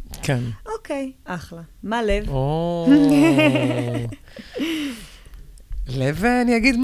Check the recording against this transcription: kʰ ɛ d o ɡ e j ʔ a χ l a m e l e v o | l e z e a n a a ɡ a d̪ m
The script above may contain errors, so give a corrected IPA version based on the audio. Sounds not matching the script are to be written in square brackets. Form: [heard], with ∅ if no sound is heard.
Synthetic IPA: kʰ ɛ [n] o [k] e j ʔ a χ l a m [a] l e v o | l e [v] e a n [i] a ɡ [i] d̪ m